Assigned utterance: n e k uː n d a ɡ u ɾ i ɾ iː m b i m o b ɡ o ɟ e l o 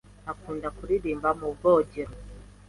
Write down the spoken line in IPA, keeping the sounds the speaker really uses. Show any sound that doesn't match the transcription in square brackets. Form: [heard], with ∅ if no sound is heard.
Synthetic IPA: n [a] k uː n d a [k] u ɾ i ɾ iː m b [a] m [u] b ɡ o ɟ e [ɾ] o

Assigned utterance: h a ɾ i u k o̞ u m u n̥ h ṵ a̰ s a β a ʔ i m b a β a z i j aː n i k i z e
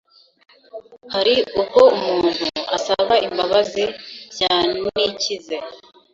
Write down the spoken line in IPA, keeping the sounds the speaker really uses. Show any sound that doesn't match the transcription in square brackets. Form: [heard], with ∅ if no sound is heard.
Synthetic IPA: h a ɾ i u k o̞ u m [uː] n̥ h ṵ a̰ s a β a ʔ i m b a β a z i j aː n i [c] i z e

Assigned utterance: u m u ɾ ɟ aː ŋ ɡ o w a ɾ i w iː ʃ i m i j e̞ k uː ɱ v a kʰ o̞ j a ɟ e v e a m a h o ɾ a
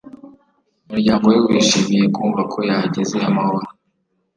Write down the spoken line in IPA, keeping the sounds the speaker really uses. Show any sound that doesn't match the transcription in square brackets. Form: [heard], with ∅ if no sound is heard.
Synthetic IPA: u m u ɾ ɟ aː ŋ ɡ o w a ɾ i w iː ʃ i m i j e̞ k uː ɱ v a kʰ o̞ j a ɟ e [z] e a m a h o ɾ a

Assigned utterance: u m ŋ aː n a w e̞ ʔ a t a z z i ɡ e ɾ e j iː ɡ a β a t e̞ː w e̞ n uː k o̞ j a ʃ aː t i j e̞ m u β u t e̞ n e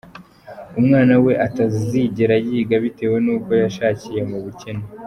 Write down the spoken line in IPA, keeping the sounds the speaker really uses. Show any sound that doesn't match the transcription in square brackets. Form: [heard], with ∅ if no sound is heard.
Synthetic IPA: u m ŋ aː n a w e̞ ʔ a t a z z i [ɟ] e ɾ [a] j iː ɡ a β [i] t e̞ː w e̞ n uː k o̞ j a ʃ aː [c] i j e̞ m u β u [c] e̞ n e

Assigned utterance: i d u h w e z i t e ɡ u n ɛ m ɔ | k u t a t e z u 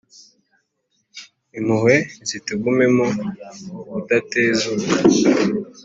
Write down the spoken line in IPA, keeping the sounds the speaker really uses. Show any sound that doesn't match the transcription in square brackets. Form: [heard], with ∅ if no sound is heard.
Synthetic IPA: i [n] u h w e z i t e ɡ u [m] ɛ m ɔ | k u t a t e z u

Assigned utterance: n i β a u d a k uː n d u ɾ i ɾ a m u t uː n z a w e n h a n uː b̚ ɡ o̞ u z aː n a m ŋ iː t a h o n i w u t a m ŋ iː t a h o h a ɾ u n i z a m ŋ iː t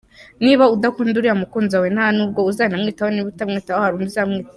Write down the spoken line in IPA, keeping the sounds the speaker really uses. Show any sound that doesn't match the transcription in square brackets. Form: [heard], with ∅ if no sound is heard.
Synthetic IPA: n i β a u d a k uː n d u ɾ i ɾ a m u [k] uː n z a w e n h a n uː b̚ ɡ o̞ u z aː n a m ŋ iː t a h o n i [β] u t a m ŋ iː t a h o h a ɾ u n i z a m ŋ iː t

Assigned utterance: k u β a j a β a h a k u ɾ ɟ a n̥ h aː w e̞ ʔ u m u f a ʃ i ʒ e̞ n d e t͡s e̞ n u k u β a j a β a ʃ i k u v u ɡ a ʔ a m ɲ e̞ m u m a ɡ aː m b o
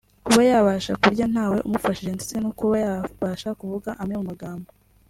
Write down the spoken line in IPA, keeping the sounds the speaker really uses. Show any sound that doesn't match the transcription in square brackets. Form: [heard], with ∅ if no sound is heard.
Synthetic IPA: k u β a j a β a [ʃ] a k u ɾ ɟ a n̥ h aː w e̞ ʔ u m u f a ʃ i ʒ e̞ n d e t͡s e̞ n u k u β a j a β a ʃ [a] k u v u ɡ a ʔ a m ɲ e̞ m u m a ɡ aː m b o

